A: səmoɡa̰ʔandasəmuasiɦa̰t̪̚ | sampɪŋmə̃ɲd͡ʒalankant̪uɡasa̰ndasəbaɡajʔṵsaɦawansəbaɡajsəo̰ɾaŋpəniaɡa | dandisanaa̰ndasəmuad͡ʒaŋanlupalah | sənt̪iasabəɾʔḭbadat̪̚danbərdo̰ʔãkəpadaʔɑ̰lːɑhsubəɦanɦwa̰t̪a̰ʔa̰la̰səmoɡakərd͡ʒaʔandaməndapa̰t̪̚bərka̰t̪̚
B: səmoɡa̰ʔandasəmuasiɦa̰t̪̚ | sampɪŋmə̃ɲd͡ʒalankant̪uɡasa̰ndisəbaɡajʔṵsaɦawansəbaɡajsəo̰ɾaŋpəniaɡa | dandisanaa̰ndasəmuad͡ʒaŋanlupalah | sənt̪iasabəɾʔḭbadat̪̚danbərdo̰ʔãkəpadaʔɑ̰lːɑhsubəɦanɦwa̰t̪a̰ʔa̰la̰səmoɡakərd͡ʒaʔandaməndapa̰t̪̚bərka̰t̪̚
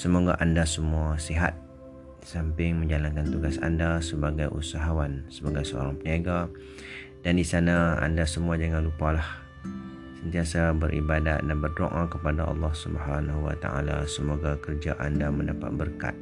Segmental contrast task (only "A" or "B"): A